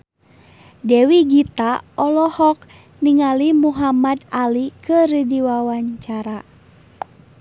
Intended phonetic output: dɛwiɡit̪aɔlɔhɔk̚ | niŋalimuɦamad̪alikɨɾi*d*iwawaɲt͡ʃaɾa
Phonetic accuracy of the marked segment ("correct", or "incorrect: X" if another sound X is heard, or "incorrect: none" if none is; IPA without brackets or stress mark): correct